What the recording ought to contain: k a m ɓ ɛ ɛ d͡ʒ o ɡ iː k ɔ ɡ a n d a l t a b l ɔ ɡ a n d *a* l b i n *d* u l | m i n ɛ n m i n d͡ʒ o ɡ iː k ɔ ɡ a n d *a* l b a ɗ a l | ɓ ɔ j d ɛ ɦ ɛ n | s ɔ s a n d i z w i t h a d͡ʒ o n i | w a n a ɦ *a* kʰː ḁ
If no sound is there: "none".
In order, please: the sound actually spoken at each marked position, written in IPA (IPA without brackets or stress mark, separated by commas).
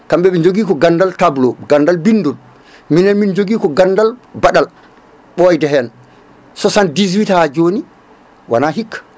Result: a, d, a, i